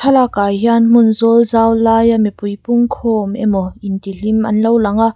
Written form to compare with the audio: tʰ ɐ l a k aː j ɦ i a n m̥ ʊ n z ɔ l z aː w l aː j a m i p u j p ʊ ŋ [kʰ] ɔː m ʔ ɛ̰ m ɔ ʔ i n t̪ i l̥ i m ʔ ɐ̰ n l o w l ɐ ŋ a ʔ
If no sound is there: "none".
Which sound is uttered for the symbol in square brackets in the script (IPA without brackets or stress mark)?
kʰ